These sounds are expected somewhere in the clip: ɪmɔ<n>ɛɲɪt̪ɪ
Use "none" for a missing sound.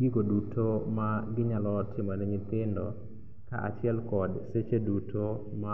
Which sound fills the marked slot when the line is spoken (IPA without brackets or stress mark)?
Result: n